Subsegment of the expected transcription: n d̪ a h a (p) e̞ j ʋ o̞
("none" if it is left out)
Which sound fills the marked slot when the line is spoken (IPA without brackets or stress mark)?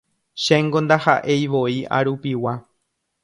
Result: ʔ